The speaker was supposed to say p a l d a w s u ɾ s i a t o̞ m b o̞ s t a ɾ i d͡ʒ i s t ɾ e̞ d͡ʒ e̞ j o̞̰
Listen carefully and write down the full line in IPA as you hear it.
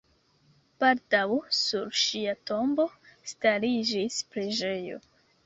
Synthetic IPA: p a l d a w s u ɾ ʃ i a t o̞ m b o̞ s t a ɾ i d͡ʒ i s p ɾ e̞ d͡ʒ e̞ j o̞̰